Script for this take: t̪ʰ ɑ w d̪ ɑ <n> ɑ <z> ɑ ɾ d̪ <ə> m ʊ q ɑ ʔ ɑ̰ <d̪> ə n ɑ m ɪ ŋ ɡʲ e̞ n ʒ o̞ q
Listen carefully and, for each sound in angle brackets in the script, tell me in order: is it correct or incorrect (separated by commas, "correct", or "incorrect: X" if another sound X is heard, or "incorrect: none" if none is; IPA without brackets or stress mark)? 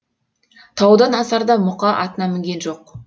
correct, incorrect: s, incorrect: ɑ, incorrect: t̪